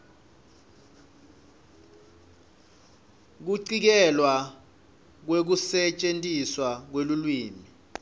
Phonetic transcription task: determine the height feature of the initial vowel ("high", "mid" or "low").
high